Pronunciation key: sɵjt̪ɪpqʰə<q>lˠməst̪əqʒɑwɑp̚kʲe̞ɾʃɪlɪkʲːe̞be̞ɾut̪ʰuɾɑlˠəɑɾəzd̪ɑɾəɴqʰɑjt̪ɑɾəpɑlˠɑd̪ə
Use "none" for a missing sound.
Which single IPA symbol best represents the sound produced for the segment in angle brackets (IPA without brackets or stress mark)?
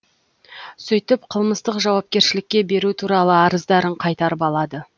none